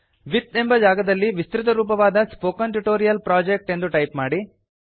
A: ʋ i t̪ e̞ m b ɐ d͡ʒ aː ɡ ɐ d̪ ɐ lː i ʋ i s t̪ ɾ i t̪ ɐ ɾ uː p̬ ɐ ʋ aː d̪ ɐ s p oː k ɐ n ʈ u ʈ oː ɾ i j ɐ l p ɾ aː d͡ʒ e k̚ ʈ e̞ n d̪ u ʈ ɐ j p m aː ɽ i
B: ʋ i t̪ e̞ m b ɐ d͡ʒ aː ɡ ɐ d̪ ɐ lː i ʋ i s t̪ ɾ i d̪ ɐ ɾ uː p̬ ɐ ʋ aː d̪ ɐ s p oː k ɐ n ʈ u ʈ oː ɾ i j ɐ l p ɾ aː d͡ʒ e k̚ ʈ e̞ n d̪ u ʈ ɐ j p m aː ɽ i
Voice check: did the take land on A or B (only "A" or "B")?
A